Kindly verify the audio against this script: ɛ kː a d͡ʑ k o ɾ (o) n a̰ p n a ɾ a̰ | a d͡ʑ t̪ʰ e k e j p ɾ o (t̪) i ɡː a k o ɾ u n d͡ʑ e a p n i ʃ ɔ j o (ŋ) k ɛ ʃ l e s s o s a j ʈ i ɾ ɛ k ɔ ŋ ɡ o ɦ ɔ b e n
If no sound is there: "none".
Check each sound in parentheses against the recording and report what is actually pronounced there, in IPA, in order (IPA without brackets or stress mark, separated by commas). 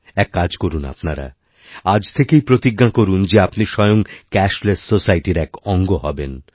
u, t̪, ŋ